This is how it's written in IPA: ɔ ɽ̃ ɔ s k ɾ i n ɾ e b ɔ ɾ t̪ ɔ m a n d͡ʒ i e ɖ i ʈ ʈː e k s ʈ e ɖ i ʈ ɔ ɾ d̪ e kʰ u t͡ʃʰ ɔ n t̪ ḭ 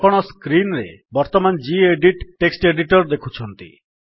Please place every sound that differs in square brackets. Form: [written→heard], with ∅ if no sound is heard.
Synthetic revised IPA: ɔ ɽ̃ ɔ s k ɾ i n ɾ e b ɔ ɾ t̪ ɔ m a n d͡ʒ i e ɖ i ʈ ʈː e k s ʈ e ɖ i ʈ ɔ ɾ d̪ e kʰ u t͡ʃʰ ɔ n t̪ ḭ